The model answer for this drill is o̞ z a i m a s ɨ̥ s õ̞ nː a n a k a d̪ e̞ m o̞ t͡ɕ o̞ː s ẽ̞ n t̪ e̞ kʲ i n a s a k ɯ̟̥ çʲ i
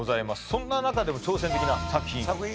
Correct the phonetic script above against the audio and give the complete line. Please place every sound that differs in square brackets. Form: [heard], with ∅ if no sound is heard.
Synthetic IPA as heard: o̞ z a i m a s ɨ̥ s õ̞ nː a n a k a d̪ e̞ m o̞ t͡ɕ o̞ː s ẽ̞ n t̪ e̞ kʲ i n a s a k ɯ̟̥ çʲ [ĩ]